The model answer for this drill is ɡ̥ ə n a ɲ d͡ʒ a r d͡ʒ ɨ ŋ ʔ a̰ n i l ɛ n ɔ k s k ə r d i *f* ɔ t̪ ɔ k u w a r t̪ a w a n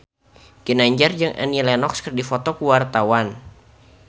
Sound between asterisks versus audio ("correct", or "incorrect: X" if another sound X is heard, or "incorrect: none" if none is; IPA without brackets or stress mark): correct